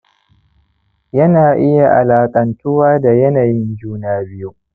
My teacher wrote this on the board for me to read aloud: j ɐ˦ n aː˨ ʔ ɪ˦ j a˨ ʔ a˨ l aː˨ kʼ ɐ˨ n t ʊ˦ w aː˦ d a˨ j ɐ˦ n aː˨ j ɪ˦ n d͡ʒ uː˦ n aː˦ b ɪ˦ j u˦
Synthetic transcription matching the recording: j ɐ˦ n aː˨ ʔ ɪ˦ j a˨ ʔ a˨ l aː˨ kʼ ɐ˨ n t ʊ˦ w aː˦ d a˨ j ɐ˦ n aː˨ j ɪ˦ n d͡ʒ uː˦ n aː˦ b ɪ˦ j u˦